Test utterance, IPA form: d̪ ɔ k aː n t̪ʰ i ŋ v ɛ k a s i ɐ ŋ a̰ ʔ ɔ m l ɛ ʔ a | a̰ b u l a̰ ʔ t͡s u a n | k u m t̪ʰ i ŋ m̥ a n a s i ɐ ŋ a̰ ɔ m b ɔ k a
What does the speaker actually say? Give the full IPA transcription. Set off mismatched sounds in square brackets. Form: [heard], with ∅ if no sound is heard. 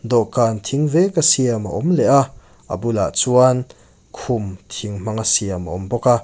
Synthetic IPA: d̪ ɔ k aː n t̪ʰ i ŋ v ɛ k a s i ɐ [m] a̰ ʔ ɔ m l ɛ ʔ a | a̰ b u l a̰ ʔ t͡s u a n | [kʰ] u m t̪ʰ i ŋ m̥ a [ŋ] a s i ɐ [m] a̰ ɔ m b ɔ k a